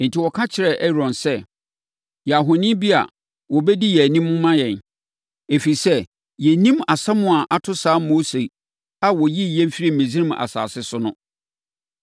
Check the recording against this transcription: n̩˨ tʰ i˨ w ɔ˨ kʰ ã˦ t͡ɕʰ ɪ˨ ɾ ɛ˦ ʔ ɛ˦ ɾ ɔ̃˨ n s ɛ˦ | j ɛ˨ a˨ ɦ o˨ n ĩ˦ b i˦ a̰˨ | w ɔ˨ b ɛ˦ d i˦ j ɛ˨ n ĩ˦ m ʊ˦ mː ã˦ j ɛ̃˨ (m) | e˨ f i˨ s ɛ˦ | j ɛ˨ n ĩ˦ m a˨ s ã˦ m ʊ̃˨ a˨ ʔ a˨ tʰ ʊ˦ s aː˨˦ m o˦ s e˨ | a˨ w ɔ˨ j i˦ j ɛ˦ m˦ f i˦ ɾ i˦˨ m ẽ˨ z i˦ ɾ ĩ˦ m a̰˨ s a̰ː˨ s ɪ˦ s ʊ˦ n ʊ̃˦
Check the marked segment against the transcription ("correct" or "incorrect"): incorrect